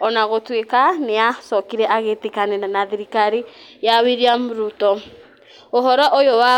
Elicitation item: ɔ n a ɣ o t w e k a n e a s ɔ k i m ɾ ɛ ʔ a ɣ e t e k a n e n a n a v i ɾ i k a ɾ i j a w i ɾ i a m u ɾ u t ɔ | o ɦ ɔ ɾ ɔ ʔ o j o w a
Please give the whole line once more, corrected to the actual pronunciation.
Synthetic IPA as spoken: ɔ n a ɣ o t w e k a n e a s ɔ k i ɾ ɛ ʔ a ɣ e t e k a n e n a n a ð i ɾ i k a ɾ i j a w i ɾ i a m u ɾ u t ɔ | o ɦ ɔ ɾ ɔ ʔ o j o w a